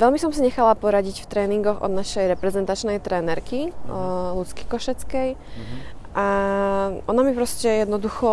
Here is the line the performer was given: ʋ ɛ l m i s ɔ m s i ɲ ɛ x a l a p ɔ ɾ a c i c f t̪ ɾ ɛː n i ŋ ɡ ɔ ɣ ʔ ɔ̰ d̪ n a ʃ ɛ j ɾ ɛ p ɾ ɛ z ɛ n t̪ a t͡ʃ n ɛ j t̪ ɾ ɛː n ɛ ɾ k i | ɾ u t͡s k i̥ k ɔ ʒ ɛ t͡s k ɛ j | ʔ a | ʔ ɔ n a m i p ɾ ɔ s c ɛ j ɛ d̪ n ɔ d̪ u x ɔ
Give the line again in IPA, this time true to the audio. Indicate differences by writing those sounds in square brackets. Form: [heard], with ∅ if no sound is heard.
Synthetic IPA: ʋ ɛ l m i s ɔ m s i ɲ ɛ x a l a p ɔ ɾ a [ɟ] i c f t̪ ɾ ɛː n i ŋ ɡ ɔ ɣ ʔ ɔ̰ d̪ n a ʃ ɛ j ɾ ɛ p ɾ ɛ z ɛ n t̪ a t͡ʃ n ɛ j t̪ ɾ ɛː n ɛ ɾ k i | [l] u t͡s k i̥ k ɔ [ʃ] ɛ t͡s k ɛ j | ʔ a | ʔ ɔ n a m i p ɾ ɔ s c ɛ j ɛ d̪ n ɔ d̪ u x ɔ